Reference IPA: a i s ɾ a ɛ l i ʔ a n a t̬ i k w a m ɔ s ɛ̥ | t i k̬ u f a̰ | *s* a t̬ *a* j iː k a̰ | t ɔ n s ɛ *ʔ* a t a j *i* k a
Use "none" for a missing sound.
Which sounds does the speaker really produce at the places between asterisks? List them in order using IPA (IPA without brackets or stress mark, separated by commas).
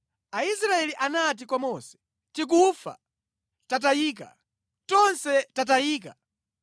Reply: t, a, t, iː